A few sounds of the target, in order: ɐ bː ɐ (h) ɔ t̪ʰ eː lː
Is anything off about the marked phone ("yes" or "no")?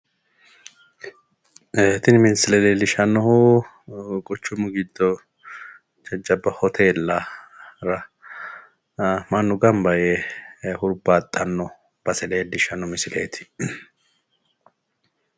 no